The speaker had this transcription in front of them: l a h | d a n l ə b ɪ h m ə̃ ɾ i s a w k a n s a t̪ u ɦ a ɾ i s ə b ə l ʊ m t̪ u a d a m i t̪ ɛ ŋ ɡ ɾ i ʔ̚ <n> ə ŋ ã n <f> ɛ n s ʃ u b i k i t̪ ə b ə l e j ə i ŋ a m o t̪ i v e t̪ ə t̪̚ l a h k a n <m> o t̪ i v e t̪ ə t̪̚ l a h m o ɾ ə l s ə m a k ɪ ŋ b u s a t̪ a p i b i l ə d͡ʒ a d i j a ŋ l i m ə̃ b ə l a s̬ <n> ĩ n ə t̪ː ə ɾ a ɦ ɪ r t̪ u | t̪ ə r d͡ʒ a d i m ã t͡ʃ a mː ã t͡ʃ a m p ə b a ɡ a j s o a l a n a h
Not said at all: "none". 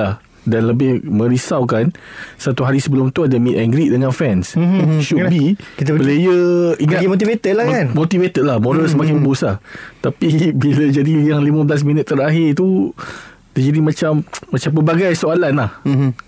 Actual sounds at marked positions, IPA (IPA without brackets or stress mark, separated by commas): d, f, m, m